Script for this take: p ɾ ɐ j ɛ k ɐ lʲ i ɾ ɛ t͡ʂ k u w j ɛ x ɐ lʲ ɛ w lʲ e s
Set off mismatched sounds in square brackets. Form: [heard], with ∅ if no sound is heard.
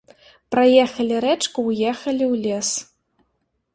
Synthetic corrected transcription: p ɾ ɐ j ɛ [x] ɐ lʲ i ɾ ɛ t͡ʂ k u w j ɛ x ɐ lʲ [i] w lʲ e s